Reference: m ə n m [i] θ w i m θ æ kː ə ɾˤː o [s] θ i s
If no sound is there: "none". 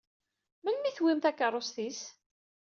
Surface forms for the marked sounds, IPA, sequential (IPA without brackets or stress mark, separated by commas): i, s